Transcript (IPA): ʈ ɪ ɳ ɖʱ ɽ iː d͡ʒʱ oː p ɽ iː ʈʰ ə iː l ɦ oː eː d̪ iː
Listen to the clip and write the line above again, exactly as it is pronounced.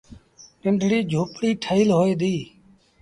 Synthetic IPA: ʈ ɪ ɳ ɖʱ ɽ iː d͡ʒʱ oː p ɽ iː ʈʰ ə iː l ɦ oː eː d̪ iː